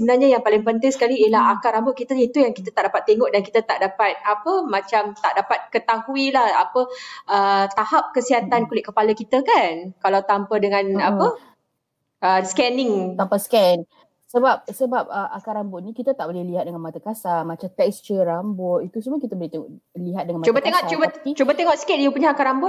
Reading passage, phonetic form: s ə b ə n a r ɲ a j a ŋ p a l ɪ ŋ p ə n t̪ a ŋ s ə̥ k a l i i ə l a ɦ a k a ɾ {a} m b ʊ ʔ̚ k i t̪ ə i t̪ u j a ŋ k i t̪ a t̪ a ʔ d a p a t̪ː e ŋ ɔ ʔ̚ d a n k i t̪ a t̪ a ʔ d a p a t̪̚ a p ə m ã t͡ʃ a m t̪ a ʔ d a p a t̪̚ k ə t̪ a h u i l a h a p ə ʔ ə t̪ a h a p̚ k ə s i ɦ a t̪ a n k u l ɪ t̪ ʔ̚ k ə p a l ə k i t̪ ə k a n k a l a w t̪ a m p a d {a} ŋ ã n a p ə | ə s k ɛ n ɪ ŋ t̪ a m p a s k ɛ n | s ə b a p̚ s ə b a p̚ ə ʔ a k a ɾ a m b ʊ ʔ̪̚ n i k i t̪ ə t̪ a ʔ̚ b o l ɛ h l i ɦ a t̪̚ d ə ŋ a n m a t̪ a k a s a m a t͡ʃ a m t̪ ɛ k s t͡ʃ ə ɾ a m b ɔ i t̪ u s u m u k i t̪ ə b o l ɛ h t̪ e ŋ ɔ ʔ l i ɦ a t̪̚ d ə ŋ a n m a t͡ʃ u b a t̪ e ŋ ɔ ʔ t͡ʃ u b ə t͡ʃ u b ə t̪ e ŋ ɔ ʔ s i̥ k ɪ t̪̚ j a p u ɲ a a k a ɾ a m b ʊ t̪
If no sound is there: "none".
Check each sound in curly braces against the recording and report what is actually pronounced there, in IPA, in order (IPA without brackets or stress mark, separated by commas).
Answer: a, ə